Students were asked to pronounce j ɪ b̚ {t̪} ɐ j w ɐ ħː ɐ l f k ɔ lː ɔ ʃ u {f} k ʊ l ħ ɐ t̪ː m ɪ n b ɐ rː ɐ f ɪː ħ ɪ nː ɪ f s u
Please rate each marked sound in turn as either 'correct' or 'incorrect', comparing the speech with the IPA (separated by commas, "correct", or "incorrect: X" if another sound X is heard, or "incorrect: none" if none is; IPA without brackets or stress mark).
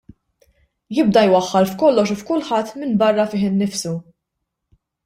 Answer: incorrect: d̪, correct